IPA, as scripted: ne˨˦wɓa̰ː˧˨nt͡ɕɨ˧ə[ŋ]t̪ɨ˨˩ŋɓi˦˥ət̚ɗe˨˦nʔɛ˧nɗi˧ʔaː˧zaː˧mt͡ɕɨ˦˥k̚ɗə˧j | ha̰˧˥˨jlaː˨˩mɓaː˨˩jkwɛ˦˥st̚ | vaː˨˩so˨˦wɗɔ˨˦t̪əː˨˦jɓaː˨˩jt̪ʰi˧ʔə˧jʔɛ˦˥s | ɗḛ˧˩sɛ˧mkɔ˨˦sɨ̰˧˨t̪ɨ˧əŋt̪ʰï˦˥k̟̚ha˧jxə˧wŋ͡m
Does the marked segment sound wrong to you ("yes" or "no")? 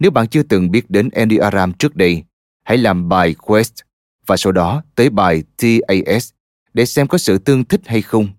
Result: yes